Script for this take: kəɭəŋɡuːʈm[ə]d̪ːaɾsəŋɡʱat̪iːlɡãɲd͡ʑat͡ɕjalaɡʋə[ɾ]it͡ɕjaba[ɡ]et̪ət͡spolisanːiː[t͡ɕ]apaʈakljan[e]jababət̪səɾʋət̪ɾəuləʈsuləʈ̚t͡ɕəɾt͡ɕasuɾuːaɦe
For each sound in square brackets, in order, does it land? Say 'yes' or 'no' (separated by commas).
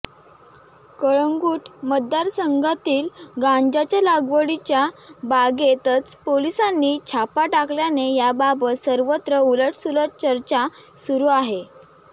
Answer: yes, no, yes, no, yes